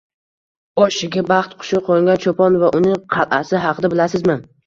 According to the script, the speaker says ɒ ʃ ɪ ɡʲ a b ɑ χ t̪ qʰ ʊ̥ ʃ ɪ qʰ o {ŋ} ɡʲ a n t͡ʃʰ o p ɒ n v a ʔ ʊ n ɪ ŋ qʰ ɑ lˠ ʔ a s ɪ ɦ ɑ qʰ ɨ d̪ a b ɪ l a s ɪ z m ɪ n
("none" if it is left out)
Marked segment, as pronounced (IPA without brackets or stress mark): ŋ